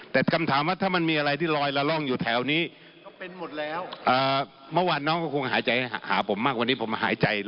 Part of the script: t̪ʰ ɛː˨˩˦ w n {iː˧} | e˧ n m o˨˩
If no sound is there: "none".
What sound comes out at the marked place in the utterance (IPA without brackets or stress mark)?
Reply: iː˦˥˩